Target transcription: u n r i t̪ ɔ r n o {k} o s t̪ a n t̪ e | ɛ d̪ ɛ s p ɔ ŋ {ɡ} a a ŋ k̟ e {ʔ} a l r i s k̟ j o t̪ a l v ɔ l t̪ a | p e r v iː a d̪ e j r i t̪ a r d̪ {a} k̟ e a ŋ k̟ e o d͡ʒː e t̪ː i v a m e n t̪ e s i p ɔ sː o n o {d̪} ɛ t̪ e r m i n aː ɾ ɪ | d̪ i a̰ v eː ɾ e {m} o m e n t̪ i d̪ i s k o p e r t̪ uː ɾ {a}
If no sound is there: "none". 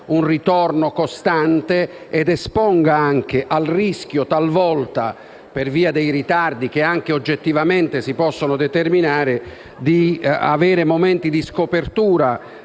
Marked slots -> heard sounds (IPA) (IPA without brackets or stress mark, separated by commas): k, ɡ, ʔ, i, d̪, m, a